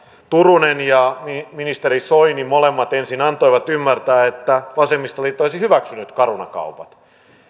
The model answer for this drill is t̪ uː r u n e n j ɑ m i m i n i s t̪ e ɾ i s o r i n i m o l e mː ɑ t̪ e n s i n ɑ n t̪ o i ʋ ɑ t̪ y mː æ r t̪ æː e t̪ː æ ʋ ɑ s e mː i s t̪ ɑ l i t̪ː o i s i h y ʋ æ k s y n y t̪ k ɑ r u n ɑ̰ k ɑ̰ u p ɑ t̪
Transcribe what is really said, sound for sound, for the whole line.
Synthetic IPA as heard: t̪ u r u n e n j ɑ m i m i n i s t̪ e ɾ i s o i n i m o l e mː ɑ t̪ e n s i n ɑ n t̪ o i ʋ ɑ t̪ y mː æ r t̪ æː e t̪ː æ ʋ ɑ s e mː i s t̪ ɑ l i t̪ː o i s i h y ʋ æ k s y n y t̪ k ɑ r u n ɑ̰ k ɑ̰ u p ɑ t̪